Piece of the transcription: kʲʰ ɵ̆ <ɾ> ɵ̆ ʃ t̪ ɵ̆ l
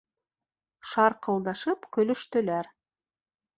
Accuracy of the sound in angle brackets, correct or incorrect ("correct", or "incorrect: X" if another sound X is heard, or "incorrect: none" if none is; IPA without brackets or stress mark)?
incorrect: l